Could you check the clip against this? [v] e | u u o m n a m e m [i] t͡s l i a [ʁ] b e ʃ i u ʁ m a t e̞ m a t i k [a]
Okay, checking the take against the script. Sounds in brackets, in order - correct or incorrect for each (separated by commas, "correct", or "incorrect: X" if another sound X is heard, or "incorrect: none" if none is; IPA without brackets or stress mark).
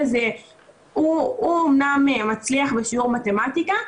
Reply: incorrect: z, incorrect: a, incorrect: χ, correct